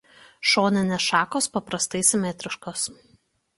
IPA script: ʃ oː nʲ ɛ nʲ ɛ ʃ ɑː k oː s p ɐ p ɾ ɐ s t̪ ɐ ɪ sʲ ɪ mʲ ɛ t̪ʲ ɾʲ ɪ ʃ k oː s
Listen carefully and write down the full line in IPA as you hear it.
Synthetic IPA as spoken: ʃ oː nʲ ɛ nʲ ɛ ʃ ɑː k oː s p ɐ p ɾ ɐ s t̪ ɐ ɪ sʲ ɪ mʲ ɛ t̪ʲ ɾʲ ɪ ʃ k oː s